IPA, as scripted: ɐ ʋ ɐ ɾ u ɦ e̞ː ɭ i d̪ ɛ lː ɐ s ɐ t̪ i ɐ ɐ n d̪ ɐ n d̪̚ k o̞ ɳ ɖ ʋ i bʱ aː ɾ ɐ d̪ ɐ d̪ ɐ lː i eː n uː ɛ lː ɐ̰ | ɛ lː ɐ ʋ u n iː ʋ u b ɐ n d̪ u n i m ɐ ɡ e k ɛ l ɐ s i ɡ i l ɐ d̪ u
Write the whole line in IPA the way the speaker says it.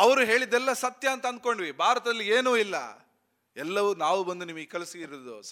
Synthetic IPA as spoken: ɐ ʋ ɐ ɾ u ɦ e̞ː ɭ i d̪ ɛ lː ɐ s ɐ t̪ j ɐ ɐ n t̪ ɐ n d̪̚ k o̞ ɳ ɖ ʋ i bʱ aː ɾ ɐ t̪ ɐ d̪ ɐ lː i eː n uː i lː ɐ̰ | ɛ lː ɐ ʋ u n aː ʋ u b ɐ n d̪ u n i m ɐ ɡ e k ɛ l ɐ s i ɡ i ɾ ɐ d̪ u